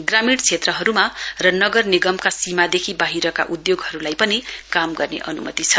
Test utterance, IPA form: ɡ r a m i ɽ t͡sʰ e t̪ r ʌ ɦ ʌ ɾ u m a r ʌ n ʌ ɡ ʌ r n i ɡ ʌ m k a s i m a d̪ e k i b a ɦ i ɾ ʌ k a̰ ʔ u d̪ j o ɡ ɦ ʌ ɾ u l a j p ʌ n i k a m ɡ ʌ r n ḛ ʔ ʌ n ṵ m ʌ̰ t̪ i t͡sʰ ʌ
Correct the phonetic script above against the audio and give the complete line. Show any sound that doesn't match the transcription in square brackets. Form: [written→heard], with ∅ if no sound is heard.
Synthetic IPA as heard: ɡ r a m i ɽ t͡sʰ e t̪ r ʌ ɦ ʌ ɾ u m a r ʌ n ʌ ɡ ʌ r n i ɡ ʌ m k a s i m a d̪ e [k→kʰ] i b a ɦ i ɾ ʌ k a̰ ʔ u d̪ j o ɡ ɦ ʌ ɾ u l a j p ʌ n i k a m ɡ ʌ r n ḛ ʔ ʌ n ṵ m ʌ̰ t̪ i t͡sʰ ʌ